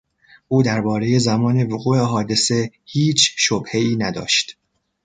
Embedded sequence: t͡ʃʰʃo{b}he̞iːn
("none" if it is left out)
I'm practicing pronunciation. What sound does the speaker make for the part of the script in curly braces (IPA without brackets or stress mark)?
b